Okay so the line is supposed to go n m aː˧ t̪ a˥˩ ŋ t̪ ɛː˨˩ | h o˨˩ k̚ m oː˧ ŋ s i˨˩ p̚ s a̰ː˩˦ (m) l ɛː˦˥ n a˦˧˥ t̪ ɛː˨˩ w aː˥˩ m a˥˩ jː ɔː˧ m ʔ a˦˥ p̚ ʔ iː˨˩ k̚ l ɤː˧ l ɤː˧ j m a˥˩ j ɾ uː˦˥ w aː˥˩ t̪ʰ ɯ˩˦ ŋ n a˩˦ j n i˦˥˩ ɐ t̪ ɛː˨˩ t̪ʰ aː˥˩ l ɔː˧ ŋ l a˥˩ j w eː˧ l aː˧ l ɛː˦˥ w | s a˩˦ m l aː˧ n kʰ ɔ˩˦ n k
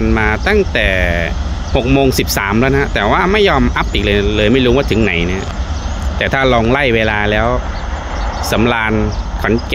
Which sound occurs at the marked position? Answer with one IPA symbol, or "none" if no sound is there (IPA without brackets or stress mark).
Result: m